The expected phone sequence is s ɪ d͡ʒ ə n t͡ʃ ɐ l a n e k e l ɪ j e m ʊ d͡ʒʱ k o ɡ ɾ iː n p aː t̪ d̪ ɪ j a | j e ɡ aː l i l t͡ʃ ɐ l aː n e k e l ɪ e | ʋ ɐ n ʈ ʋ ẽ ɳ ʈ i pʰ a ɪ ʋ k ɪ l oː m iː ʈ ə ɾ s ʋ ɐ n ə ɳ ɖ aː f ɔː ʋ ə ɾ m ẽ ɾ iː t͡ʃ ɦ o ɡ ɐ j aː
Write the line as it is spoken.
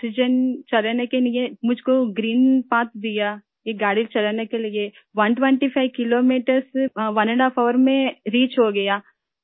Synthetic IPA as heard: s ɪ d͡ʒ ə n t͡ʃ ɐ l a n e k e l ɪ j e m ʊ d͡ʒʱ k o ɡ ɾ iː n p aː t̪ d̪ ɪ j a | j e ɡ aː ɽ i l t͡ʃ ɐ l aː n e k e l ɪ e | ʋ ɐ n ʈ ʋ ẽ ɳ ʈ i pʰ a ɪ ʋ k ɪ l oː m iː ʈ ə ɾ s ʋ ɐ n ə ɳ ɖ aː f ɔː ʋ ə ɾ m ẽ ɾ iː t͡ʃ ɦ o ɡ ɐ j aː